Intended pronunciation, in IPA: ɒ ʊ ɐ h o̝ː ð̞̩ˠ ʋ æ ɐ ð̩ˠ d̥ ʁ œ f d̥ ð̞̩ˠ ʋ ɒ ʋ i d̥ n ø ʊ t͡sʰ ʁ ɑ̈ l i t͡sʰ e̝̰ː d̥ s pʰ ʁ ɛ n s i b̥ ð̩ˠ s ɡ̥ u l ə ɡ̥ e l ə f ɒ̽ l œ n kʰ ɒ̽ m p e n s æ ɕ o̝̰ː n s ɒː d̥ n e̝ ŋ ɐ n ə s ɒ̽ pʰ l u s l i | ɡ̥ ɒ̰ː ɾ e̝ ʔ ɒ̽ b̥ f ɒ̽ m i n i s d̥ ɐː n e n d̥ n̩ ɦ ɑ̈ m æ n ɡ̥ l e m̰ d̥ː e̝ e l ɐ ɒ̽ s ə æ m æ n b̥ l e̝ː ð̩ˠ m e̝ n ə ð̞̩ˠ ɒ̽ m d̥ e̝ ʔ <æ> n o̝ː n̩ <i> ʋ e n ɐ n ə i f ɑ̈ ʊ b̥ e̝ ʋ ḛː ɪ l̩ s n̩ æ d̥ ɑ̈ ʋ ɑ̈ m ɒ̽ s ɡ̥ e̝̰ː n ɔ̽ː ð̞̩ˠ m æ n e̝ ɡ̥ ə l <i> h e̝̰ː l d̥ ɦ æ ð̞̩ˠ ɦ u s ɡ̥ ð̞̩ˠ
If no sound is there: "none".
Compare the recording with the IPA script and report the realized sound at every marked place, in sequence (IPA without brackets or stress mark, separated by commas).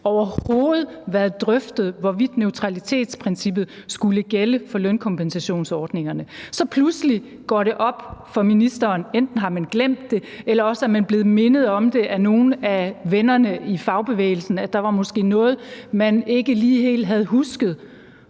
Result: æ, æ, iː